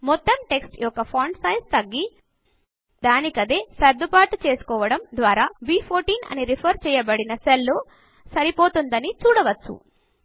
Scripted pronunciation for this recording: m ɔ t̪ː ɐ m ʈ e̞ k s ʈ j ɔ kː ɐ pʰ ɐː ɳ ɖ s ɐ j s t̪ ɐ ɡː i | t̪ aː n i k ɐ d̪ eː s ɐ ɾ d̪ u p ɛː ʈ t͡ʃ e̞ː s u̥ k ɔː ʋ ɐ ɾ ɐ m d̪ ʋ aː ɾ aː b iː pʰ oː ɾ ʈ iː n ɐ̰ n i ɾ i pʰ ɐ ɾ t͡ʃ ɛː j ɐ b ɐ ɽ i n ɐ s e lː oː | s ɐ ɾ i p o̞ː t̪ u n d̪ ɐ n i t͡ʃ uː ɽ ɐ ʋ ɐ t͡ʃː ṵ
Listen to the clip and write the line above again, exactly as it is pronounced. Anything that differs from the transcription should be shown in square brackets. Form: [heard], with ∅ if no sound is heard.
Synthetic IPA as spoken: m ɔ t̪ː ɐ m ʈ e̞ k s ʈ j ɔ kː ɐ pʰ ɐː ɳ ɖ s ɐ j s t̪ ɐ ɡː i | [d̪] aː n i k ɐ d̪ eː s ɐ ɾ d̪ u p [aː] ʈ t͡ʃ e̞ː s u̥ k ɔː ʋ ɐ [ɽ] ɐ m d̪ ʋ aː ɾ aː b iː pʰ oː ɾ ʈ iː n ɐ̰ n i ɾ i pʰ ɐ ɾ t͡ʃ ɛː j ɐ b ɐ ɽ i n ɐ s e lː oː | s ɐ ɾ i p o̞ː t̪ u n d̪ ɐ n i t͡ʃ uː ɽ ɐ ʋ ɐ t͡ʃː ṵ

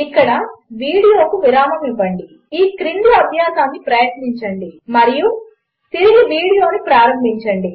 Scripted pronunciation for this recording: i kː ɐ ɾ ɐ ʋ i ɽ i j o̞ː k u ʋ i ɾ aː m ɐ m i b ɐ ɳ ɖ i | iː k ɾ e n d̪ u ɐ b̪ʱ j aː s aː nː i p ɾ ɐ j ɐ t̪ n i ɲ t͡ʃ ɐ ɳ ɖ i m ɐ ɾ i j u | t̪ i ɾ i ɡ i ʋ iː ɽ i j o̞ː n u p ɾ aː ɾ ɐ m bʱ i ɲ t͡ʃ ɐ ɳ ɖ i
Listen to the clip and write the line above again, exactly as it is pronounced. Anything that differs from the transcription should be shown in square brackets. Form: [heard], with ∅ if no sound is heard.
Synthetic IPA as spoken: i kː ɐ [ɽ] ɐ ʋ [iː] ɽ i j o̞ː k u ʋ i ɾ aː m ɐ m i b ɐ ɳ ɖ i | iː k ɾ [i] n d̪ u ɐ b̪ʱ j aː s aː nː i p ɾ ɐ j ɐ t̪ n i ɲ t͡ʃ ɐ ɳ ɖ i m ɐ ɾ i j u | t̪ i ɾ i ɡ i ʋ iː ɽ i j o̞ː n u p ɾ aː ɾ ɐ m bʱ i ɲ t͡ʃ ɐ ɳ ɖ i

